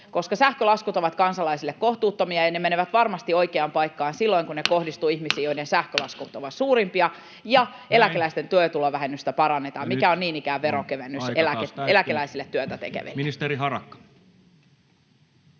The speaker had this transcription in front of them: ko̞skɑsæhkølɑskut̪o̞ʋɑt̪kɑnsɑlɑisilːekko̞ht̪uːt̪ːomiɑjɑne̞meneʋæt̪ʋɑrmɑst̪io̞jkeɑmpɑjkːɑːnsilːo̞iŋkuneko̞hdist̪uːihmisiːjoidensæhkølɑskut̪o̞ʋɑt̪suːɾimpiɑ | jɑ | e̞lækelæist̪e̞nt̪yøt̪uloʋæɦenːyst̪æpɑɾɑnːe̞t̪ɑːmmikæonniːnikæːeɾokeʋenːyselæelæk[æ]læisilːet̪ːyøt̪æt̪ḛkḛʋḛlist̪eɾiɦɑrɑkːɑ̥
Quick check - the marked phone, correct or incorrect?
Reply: incorrect